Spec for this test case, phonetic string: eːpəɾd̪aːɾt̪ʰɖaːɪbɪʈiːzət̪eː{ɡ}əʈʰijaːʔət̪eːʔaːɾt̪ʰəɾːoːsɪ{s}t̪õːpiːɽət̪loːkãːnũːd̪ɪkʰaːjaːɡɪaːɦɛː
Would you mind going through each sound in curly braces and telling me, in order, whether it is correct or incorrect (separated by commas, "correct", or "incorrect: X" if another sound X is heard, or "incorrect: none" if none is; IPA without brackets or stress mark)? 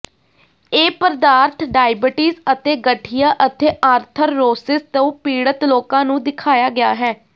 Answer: correct, correct